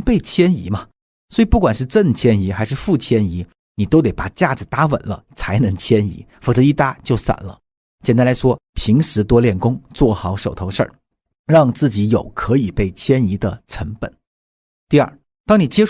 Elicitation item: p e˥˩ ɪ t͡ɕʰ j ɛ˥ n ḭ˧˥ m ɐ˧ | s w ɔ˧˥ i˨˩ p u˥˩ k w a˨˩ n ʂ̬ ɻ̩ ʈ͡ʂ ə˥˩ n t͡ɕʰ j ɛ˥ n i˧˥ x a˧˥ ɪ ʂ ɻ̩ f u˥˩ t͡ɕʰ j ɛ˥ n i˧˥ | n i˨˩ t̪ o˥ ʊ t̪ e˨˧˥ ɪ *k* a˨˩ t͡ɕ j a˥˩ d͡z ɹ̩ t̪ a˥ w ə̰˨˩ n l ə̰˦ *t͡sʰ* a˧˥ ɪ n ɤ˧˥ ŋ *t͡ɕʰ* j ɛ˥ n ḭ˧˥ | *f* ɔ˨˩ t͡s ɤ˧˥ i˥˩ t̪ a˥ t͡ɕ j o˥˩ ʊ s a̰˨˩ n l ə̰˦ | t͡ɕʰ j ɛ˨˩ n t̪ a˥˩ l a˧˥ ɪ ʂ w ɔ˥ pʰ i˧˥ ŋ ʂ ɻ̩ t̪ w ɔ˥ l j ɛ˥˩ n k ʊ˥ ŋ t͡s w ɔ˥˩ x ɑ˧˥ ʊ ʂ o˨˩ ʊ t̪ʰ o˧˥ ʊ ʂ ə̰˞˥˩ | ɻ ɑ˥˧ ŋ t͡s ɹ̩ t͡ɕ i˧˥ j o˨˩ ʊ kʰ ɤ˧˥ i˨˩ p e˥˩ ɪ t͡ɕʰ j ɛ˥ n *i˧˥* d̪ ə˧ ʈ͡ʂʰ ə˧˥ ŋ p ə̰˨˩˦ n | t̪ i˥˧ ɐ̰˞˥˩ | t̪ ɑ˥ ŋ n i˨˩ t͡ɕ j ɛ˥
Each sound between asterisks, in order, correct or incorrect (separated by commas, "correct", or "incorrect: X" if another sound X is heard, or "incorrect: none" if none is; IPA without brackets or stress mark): incorrect: p, correct, correct, correct, correct